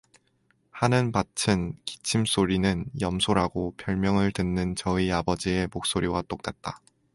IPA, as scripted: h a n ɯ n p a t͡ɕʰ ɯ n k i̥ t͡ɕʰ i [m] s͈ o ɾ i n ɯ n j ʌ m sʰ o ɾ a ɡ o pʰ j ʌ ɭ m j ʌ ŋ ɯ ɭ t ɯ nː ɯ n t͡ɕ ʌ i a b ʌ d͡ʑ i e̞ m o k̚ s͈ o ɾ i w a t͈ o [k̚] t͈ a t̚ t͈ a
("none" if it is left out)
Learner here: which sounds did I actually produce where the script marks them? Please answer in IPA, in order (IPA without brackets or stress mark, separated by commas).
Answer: m, k̚